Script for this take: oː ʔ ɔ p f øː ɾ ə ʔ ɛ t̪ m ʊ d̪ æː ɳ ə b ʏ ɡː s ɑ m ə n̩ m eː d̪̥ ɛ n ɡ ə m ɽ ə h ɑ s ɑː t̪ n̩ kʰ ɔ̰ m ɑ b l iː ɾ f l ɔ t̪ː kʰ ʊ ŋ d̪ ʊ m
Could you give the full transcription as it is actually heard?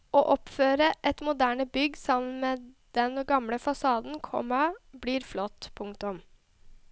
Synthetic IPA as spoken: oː ʔ ɔ p f øː ɾ ə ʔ ɛ t̪ m ʊ d̪ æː ɳ ə b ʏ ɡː s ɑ m ə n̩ m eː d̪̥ ɛ n ɡ ɑ m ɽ ə f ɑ s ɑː d̪ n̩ kʰ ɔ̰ m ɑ b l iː ɾ f l ɔ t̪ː pʰ ʊ ŋ t̪ ʊ m